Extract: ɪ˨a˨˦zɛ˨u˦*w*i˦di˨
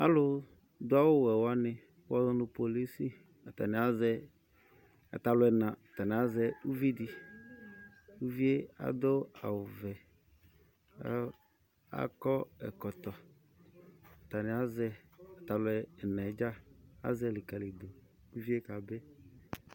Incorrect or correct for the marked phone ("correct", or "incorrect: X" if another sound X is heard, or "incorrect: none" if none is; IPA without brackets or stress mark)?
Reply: incorrect: v